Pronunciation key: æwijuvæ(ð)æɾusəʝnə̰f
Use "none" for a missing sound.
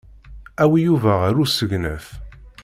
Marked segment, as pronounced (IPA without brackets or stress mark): ʁ